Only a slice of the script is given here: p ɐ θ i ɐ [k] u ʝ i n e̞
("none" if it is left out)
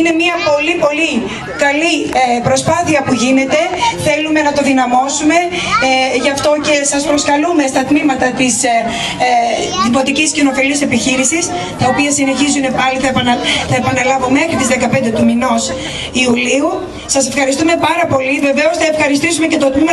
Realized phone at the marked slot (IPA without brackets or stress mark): p